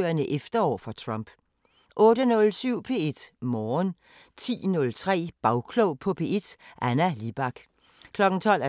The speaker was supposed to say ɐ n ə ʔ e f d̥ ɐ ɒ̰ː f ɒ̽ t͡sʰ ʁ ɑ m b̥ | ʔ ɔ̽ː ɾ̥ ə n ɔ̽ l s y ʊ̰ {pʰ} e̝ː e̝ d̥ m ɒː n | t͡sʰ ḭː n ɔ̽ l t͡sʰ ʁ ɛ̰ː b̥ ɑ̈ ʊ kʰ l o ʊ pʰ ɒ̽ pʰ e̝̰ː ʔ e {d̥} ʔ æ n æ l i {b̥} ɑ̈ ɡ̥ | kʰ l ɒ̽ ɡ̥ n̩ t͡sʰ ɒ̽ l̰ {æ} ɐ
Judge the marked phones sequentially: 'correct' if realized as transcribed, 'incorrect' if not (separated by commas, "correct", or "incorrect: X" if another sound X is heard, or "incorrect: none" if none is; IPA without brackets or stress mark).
correct, correct, correct, correct